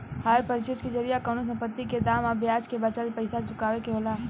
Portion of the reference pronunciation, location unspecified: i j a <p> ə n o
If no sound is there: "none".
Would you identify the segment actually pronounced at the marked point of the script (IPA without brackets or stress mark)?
k